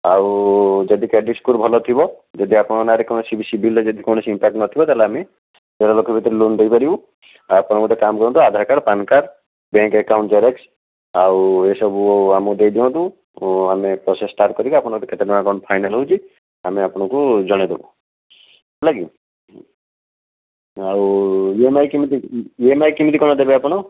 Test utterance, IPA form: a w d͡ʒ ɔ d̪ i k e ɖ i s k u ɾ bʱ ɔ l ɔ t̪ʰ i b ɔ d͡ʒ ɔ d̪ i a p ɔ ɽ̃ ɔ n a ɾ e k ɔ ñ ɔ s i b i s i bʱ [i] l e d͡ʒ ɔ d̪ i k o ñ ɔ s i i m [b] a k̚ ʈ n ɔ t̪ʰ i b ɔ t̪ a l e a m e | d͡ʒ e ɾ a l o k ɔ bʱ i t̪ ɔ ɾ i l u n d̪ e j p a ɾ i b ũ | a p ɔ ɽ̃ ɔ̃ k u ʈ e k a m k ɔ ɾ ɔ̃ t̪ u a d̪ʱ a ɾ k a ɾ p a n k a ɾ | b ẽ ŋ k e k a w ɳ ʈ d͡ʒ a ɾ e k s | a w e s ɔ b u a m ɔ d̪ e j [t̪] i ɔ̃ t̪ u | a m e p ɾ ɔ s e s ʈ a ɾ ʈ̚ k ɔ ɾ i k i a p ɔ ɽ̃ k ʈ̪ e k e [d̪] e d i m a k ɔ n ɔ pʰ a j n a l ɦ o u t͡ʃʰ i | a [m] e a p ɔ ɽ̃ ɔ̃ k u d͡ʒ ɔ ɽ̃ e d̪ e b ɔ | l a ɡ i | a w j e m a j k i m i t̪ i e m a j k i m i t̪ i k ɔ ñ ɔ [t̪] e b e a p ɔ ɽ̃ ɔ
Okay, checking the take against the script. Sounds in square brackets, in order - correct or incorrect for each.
correct, incorrect: p, incorrect: d̪, incorrect: t̪, correct, incorrect: d̪

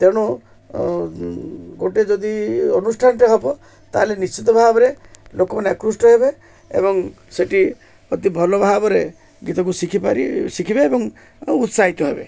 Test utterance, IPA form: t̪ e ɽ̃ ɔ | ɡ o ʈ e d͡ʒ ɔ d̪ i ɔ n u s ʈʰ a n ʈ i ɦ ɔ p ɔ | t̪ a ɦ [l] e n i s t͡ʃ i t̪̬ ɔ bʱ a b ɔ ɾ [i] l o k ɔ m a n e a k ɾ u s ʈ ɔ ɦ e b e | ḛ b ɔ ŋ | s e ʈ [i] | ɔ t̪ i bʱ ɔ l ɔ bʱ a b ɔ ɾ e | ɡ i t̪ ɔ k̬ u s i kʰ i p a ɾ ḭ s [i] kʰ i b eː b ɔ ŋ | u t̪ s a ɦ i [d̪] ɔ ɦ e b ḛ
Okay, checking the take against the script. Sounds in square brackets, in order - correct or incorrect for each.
correct, incorrect: e, correct, correct, incorrect: t̪

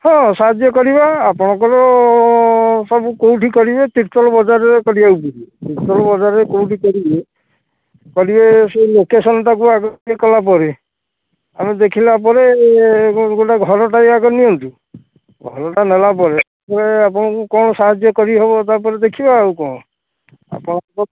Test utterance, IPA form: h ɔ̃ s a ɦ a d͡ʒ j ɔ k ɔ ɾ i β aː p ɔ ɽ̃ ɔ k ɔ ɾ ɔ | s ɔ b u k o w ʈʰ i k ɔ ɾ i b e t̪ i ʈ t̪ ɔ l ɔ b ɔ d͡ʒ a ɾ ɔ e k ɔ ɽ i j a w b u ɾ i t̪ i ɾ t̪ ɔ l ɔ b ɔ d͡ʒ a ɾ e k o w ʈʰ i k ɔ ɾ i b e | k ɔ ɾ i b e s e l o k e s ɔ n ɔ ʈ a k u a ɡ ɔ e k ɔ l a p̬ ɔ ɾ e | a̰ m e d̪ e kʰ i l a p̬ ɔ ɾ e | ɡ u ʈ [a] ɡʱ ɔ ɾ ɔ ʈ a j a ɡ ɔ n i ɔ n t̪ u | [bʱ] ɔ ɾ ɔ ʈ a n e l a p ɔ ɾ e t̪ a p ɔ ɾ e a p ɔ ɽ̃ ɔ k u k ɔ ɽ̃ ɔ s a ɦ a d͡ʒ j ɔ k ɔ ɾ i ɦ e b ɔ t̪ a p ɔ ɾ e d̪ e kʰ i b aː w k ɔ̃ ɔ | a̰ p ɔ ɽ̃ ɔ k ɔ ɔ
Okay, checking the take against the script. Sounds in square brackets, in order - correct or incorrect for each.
correct, incorrect: ɡʱ

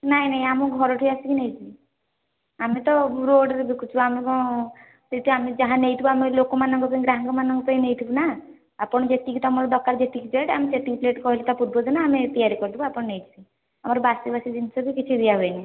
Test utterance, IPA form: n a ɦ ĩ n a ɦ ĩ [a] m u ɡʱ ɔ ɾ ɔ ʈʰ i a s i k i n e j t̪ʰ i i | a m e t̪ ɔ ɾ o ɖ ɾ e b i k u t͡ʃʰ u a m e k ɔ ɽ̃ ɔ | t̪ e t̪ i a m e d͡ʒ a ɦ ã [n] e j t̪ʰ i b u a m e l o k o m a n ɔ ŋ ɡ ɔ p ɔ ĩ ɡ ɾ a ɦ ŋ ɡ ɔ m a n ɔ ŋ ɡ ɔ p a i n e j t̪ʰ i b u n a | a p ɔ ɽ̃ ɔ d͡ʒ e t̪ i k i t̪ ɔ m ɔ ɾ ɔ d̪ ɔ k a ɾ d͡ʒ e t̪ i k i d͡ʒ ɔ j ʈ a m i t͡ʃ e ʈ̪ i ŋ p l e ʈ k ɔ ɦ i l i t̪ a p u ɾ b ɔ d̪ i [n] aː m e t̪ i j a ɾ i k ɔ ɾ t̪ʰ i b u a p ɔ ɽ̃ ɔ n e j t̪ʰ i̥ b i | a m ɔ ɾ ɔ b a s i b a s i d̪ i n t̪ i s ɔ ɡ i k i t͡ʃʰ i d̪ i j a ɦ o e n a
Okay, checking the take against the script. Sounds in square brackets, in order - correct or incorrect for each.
correct, correct, correct

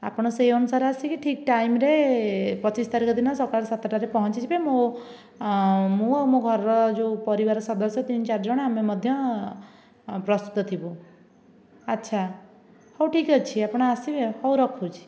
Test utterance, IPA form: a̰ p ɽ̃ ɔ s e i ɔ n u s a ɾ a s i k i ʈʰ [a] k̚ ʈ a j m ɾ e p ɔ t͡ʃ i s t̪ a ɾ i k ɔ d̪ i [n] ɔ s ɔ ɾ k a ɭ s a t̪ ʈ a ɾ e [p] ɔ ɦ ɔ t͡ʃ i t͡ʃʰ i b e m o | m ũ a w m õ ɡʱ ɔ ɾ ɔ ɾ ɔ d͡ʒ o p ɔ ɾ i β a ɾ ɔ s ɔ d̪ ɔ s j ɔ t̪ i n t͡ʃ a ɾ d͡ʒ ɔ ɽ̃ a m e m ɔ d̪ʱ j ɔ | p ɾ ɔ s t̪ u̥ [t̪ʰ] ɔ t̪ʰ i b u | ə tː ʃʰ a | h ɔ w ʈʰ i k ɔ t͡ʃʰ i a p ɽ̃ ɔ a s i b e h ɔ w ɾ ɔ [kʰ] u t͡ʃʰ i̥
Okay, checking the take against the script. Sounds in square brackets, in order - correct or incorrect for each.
incorrect: i, correct, correct, incorrect: t̪, correct

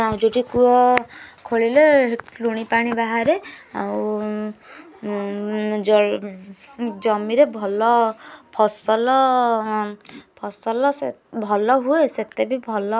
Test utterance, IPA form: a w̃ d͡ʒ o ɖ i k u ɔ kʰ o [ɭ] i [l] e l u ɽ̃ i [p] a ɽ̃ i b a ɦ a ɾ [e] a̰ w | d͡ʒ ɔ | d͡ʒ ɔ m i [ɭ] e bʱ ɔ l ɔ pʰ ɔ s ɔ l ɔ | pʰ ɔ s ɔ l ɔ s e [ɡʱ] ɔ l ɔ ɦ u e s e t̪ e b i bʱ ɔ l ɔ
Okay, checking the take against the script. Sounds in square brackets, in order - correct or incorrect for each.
correct, correct, correct, correct, incorrect: ɾ, incorrect: bʱ

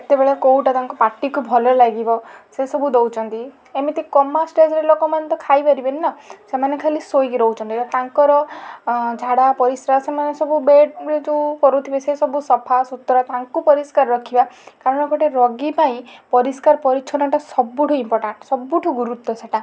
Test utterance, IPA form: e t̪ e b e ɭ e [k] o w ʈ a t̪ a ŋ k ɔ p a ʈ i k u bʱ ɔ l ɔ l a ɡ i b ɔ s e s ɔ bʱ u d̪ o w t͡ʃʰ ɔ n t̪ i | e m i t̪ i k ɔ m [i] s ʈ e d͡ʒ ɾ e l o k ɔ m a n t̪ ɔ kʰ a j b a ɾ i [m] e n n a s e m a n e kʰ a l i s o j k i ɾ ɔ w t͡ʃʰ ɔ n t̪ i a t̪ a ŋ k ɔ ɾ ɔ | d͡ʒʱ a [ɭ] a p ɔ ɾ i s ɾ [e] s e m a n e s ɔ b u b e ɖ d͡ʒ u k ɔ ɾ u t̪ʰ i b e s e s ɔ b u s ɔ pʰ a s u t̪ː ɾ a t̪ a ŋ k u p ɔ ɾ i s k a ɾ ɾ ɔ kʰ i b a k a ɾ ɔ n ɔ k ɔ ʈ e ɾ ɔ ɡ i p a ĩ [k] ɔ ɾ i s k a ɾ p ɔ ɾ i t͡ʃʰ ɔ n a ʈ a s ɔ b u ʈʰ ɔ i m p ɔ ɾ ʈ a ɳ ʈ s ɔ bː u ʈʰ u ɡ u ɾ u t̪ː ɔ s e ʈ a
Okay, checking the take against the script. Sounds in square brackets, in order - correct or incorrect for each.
correct, incorrect: a, incorrect: b, incorrect: ɽ, incorrect: a, incorrect: p

